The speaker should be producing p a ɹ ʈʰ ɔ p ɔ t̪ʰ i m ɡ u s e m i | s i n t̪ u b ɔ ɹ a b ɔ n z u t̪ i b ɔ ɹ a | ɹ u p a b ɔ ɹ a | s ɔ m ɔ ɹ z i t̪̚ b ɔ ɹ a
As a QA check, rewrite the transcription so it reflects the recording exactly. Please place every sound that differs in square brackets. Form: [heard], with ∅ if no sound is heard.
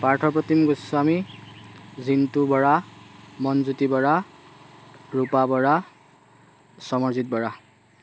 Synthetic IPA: p a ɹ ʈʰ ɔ p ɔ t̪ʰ i m ɡ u s [a] m i | [z] i n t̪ u b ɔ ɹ a [m] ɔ n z u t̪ i b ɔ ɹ a | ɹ u p a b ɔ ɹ a | s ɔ m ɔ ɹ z i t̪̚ b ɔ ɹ a